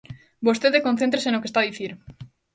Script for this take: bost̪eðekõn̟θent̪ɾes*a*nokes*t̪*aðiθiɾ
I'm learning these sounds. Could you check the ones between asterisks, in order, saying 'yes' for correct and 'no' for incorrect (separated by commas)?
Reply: no, yes